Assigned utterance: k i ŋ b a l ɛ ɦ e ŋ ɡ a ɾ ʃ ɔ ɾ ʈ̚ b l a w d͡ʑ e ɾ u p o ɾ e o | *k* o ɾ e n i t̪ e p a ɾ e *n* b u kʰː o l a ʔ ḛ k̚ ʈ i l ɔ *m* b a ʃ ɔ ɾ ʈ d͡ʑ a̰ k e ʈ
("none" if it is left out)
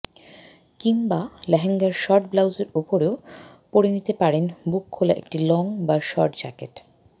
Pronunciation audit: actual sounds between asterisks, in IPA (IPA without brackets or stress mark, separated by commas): p, n, ŋ